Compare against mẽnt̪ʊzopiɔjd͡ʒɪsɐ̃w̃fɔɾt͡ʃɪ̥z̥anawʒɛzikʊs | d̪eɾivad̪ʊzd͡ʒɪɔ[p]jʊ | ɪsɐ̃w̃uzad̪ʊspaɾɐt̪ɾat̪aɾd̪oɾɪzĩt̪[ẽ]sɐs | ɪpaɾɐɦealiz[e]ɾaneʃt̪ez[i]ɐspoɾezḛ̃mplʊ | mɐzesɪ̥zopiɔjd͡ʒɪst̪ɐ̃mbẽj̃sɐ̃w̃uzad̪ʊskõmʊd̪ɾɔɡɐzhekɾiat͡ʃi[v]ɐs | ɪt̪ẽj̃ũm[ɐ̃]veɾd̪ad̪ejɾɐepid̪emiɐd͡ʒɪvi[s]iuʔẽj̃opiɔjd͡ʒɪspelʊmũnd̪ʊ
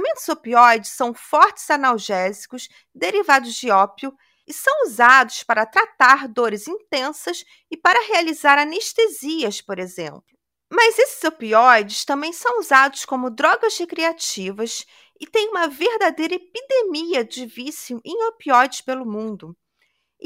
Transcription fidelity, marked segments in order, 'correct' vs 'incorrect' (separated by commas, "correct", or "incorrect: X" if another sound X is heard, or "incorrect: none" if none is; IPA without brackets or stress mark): correct, correct, incorrect: a, correct, correct, incorrect: ɐ, correct